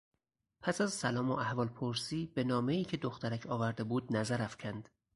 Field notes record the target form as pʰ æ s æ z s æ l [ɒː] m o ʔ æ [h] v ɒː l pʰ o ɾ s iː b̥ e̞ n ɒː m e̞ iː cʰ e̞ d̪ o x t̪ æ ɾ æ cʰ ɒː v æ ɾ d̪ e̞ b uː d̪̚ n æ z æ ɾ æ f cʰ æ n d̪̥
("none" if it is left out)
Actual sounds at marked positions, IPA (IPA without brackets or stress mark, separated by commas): ɒː, h